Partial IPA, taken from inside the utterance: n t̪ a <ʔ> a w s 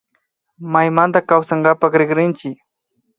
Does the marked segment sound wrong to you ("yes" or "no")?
yes